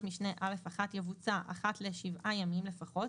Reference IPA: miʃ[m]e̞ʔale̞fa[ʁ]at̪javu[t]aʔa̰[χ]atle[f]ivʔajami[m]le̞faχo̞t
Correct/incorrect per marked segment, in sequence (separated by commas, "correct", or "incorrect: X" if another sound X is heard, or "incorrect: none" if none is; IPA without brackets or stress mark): incorrect: n, incorrect: χ, incorrect: t͡s, correct, incorrect: ʃ, correct